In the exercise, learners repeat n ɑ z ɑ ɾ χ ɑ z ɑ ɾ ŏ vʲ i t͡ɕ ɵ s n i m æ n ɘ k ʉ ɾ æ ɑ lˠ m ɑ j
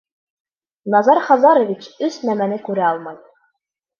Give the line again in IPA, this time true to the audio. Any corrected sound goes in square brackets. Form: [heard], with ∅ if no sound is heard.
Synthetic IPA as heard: n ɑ z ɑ ɾ χ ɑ z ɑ ɾ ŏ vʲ i t͡ɕ ɵ s n [æ] m æ n ɘ k ʉ ɾ æ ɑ lˠ m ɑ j